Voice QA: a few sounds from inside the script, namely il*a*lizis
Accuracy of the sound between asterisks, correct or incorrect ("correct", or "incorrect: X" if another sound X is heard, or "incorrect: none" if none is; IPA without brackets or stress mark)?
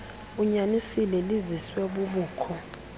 incorrect: ɛ